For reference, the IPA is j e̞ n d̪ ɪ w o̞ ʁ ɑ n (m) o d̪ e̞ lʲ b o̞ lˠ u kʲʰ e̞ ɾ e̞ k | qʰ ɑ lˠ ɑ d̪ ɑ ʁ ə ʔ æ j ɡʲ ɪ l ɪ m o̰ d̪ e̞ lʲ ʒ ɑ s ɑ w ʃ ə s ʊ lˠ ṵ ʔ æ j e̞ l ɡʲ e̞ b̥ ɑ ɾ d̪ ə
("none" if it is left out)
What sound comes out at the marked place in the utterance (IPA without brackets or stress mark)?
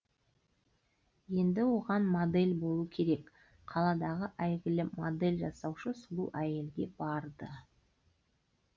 m